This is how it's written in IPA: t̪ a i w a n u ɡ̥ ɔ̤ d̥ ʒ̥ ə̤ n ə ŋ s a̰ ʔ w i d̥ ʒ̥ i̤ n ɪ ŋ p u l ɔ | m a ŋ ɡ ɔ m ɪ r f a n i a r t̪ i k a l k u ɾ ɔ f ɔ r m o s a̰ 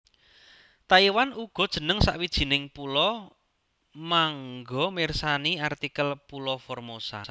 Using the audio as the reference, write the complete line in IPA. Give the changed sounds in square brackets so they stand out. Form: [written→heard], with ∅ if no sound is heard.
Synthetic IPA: t̪ a i w a n u ɡ̥ ɔ̤ d̥ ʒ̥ ə̤ n ə ŋ s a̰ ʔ w i d̥ ʒ̥ i̤ n ɪ ŋ p u l ɔ | m a ŋ ɡ ɔ m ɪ r [f→s] a n i a r t̪ i k [a→ə] l [k→p] u [ɾ→l] ɔ f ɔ r m o s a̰